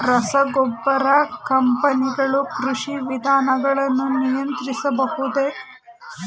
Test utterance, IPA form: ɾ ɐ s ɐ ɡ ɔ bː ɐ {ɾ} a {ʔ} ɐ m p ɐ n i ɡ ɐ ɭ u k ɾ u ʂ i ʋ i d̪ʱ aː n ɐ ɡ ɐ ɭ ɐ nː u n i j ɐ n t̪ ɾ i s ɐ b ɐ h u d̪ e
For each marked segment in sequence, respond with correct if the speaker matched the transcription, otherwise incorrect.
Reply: correct, incorrect

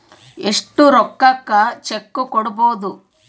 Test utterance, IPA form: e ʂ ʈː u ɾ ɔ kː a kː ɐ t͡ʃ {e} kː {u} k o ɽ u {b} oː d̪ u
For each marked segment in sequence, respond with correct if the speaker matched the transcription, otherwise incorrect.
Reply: correct, correct, correct

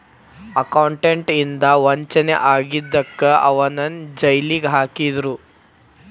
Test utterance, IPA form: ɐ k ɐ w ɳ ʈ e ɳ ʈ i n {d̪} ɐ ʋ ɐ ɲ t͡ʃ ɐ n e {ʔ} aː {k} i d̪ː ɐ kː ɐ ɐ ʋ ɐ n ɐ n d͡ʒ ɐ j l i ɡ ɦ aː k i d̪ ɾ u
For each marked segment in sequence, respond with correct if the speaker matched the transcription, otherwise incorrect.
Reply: correct, correct, incorrect

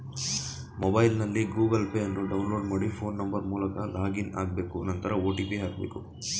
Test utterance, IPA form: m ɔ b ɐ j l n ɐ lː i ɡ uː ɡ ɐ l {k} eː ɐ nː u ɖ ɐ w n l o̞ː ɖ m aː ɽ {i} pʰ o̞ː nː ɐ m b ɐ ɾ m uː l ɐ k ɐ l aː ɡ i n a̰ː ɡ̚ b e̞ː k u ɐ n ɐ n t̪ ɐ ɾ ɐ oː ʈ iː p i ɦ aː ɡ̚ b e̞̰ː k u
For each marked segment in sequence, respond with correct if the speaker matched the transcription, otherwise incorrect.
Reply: incorrect, correct

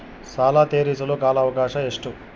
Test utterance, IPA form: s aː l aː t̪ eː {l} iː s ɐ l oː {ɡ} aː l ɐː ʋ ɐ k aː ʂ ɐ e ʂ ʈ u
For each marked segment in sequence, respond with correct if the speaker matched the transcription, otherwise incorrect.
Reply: incorrect, incorrect

